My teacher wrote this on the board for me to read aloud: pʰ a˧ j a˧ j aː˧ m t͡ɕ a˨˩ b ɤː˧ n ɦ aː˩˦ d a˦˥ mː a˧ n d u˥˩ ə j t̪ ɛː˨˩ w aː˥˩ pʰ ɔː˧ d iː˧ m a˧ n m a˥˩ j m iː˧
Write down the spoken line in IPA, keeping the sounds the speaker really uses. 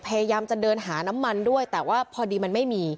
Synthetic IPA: pʰ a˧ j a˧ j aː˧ m t͡ɕ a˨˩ d ɤː˧ n ɦ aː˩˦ n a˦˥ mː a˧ n d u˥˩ ə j t̪ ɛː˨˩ w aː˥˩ pʰ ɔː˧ d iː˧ m a˧ n m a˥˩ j m iː˧